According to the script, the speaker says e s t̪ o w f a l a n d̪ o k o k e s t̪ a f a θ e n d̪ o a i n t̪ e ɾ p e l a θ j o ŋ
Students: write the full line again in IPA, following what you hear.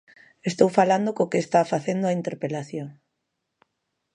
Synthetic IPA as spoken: e s t̪ o w f a l a n d̪ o k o k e s t̪ a f a θ e n d̪ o a i n t̪ e ɾ p e l a θ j o ŋ